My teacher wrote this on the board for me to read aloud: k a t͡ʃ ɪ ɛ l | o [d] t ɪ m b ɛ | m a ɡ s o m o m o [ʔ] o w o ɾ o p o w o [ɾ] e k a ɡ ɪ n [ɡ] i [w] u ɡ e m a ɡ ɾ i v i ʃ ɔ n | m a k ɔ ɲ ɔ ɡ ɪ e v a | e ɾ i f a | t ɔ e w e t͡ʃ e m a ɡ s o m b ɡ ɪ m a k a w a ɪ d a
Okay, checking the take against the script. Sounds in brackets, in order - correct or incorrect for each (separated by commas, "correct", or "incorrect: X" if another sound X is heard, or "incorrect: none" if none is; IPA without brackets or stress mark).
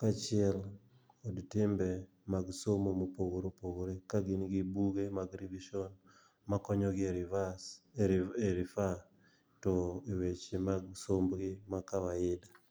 correct, incorrect: p, correct, correct, incorrect: b